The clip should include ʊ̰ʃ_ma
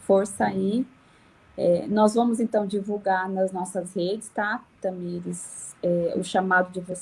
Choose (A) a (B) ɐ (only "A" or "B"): A